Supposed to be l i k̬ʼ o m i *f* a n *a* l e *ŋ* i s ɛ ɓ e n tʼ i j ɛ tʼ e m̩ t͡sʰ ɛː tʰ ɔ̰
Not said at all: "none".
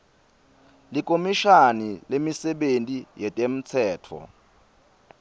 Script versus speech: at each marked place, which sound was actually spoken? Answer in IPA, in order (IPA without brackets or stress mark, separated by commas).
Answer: ʃ, i, m